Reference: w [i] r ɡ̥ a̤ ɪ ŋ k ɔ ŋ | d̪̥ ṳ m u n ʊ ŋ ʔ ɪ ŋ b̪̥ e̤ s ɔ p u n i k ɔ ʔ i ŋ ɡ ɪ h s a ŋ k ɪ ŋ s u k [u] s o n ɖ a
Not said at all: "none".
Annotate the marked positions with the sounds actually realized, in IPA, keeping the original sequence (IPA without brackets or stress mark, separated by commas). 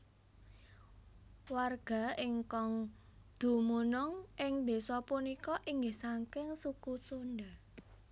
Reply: a, u